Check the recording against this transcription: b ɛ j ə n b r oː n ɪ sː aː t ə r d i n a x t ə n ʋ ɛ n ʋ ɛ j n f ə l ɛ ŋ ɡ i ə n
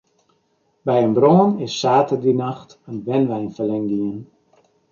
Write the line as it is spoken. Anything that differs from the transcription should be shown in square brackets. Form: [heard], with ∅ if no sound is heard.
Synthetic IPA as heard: b ɛ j ə n b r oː n ɪ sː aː t ə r d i n a x t ə n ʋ ɛ n ʋ ɛ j n f ə l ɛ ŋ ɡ i ə n